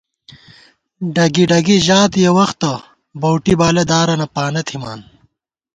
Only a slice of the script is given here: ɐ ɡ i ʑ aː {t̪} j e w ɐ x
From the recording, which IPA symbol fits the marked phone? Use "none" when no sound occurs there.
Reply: t̪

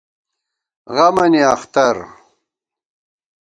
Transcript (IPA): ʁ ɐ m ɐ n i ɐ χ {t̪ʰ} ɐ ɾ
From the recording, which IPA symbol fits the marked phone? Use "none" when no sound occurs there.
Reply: t̪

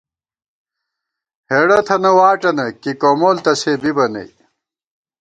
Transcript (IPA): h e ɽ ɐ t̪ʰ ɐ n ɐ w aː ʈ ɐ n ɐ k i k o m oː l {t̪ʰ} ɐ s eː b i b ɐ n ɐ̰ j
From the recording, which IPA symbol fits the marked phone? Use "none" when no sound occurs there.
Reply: t̪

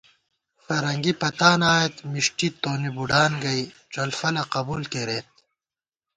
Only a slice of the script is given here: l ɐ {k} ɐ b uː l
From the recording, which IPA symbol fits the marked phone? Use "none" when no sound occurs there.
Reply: q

